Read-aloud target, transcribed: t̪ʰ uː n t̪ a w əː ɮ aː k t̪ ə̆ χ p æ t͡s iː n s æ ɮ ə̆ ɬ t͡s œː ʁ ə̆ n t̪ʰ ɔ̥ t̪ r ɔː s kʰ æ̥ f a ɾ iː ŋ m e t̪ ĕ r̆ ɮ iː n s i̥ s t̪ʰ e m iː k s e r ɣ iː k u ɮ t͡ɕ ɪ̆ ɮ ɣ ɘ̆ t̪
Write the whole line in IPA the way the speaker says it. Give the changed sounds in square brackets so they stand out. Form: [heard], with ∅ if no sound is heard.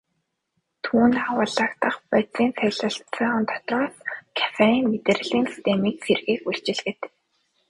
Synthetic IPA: t̪ʰ uː n t̪ a w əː ɮ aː k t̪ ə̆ χ p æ t͡s iː n s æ ɮ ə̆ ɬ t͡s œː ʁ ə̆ n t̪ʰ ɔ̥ t̪ r ɔː s kʰ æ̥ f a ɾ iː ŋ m e t̪ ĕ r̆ ɮ iː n s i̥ s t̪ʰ e m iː k s e r ɣ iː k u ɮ t͡ɕ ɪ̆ ɮ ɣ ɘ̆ t̪